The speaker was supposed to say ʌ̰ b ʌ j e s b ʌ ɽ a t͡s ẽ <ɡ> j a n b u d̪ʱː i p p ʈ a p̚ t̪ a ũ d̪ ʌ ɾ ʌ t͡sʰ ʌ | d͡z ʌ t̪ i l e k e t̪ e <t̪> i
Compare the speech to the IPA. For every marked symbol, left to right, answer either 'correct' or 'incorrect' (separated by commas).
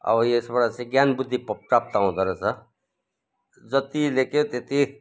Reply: correct, correct